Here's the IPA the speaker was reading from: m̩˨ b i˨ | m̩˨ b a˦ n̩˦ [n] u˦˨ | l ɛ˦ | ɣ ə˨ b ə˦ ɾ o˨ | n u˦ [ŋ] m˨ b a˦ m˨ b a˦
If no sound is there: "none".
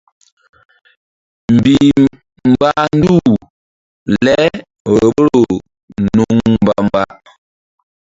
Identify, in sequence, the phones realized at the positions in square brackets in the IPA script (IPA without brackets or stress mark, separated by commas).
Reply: d, ŋ